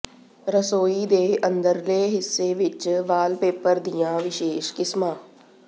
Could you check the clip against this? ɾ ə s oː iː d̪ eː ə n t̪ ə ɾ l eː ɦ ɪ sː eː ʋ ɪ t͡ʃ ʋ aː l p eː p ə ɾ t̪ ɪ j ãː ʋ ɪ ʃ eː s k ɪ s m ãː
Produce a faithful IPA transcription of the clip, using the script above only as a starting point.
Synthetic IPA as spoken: ɾ ə s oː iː d̪ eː ə n d̪ ə ɾ l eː ɦ ɪ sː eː ʋ ɪ t͡ʃ ʋ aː l p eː p ə ɾ d̪ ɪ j ãː ʋ ɪ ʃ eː ʃ k ɪ s m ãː

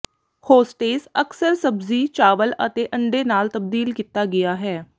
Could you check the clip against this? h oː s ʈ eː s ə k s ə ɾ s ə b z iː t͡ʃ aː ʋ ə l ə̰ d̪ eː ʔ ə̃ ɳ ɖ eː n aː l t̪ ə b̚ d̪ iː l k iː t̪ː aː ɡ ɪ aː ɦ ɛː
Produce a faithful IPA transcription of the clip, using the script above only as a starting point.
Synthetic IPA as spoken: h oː s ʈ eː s ə k s ə ɾ s ə b z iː t͡ʃ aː ʋ ə l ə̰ t̪ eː ʔ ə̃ ɳ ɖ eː n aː l t̪ ə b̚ d̪ iː l k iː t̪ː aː ɡ ɪ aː ɦ ɛː

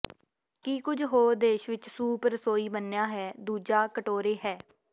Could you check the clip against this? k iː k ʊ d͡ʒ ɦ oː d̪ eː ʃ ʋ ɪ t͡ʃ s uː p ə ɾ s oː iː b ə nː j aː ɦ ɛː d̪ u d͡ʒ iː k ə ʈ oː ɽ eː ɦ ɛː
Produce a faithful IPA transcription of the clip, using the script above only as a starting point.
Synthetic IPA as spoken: k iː k ʊ d͡ʒ ɦ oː d̪ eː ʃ ʋ ɪ t͡ʃ s uː p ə ɾ s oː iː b ə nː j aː ɦ ɛː d̪ uː d͡ʒ aː k ə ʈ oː ɾ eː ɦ ɛː

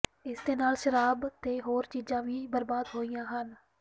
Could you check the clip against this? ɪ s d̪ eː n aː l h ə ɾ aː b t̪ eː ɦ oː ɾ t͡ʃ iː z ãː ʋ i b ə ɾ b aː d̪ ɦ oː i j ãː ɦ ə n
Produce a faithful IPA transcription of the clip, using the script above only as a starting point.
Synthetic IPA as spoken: ɪ s d̪ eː n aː l ʃ ə ɾ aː b t̪ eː ɦ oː ɾ t͡ʃ iː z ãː ʋ iː b ə ɾ b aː d̪ ɦ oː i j ãː ɦ ə n

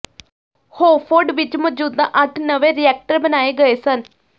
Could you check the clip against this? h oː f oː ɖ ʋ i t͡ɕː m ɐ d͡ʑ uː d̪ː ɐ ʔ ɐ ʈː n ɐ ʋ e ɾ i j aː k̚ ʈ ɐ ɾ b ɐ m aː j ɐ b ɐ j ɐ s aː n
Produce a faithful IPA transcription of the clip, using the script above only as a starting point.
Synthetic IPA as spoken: h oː f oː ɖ ʋ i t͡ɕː m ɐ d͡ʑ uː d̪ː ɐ ʔ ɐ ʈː n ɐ ʋ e ɾ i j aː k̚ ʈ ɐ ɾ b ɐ n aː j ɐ ɡ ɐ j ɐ s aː n

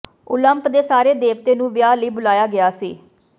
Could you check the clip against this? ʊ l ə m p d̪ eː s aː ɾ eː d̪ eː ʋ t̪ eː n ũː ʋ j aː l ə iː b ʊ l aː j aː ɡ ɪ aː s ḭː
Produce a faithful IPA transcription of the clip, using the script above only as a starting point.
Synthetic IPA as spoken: ʊ l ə m p d̪ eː s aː ɾ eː d̪ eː ʋ t̪ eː n ũː ʋ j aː l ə iː b ʊ l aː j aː ɡ ɪ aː s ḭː

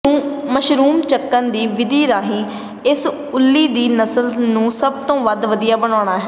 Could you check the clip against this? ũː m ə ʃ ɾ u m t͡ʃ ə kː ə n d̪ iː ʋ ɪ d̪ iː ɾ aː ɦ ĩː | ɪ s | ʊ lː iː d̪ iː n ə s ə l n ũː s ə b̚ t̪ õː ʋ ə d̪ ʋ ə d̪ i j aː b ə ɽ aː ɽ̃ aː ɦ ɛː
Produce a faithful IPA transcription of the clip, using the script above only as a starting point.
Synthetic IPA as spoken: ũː m ə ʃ ɾ uː m t͡ʃ ə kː ə n d̪ iː ʋ ɪ d̪ iː ɾ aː ɦ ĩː | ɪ s | ʊ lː iː d̪ iː n ə s ə l n ũː s ə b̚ t̪ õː ʋ ə d̪ ʋ ə d̪ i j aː b ə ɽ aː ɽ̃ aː ɦ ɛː

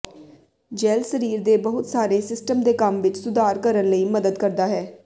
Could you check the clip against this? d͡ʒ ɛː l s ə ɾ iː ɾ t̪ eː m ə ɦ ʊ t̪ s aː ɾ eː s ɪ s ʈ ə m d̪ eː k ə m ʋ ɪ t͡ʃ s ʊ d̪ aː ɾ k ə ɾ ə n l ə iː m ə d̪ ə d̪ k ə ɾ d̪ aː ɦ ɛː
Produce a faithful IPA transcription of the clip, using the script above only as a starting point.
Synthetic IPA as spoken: d͡ʒ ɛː l s ə ɾ iː ɾ d̪ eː b ə ɦ ʊ t̪ s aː ɾ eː s ɪ s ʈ ə m d̪ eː k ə m ʋ ɪ t͡ʃ s ʊ d̪ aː ɾ k ə ɾ ə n l ə iː m ə d̪ ə d̪ k ə ɾ d̪ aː ɦ ɛː

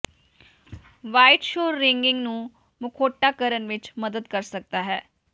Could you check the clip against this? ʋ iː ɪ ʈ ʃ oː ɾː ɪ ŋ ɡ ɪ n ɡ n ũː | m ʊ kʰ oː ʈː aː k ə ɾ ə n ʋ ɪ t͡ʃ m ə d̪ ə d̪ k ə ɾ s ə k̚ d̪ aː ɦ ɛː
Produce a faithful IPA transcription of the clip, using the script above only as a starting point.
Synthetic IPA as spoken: ʋ aː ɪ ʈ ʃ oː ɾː ɪ ŋ ɡ ɪ ŋ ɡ n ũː | m ʊ kʰ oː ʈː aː k ə ɾ ə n ʋ ɪ t͡ʃ m ə d̪ ə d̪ k ə ɾ s ə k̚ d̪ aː ɦ ɛː

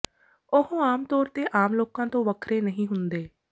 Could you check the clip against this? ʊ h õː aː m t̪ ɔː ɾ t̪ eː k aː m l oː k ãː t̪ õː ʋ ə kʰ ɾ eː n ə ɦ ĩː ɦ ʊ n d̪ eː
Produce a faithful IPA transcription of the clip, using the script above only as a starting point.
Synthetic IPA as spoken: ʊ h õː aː m t̪ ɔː ɾ t̪ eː ʔ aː m l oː k ãː t̪ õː ʋ ə kʰ ɾ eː n ə ɦ ĩː ɦ ʊ n d̪ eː

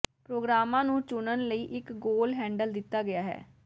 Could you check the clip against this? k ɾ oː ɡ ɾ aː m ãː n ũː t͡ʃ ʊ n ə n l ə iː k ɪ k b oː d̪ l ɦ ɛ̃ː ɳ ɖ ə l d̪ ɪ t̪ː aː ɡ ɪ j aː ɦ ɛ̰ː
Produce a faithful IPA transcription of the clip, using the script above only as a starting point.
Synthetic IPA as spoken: p ɾ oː ɡ ɾ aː m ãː n ũː t͡ʃ ʊ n ə n l ə iː ʔ ɪ k ɡ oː l ɦ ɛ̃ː ɳ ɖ ə l d̪ ɪ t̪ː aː ɡ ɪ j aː ɦ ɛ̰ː

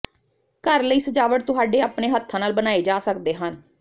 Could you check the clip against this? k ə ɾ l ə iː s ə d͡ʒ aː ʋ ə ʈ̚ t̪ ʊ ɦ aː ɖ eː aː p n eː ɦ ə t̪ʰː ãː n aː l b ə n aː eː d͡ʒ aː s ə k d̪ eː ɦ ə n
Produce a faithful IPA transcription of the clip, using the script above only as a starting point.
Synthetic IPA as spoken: k ə ɾ l ə iː s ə d͡ʒ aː ʋ ə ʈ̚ t̪ ʊ ɦ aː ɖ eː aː p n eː ɦ ə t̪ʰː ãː n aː l b ə n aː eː d͡ʒ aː s ə k d̪ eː ɦ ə n

